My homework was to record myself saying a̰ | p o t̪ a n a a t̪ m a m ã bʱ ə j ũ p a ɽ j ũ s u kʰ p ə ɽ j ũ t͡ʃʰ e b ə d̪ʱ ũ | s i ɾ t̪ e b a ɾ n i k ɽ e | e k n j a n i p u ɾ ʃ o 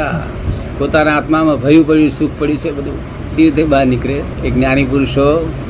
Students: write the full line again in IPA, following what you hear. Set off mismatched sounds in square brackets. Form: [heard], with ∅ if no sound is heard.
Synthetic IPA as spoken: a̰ | p o t̪ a n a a t̪ m a m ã bʱ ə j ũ p [ə] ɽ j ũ s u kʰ p ə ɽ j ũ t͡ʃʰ e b ə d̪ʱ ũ | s i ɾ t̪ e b a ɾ n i k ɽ e | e k n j a n i p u ɾ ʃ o